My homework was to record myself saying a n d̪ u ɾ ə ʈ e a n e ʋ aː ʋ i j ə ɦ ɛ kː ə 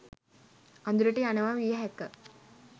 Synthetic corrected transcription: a n d̪ u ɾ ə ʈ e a n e ʋ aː ʋ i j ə ɦ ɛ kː ə